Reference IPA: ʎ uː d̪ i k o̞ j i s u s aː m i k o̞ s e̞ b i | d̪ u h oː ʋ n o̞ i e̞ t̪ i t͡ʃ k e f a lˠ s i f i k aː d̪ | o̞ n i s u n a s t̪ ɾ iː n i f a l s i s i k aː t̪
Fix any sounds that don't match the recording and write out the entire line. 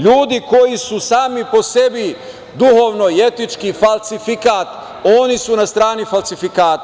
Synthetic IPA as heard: ʎ uː d̪ i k o̞ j i s u s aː m i p o̞ s e̞ b i | d̪ u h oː ʋ n o̞ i e̞ t̪ i t͡ʃ k i f a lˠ s i f i k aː t̪ | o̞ n i s u n a s t̪ ɾ aː n i f a l s i f i k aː t̪